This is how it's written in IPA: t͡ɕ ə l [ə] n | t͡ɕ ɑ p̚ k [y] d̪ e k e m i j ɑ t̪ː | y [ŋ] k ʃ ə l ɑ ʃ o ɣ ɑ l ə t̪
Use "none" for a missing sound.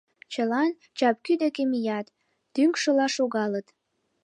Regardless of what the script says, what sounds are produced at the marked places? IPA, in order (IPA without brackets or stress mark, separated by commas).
ɑ, y, ŋ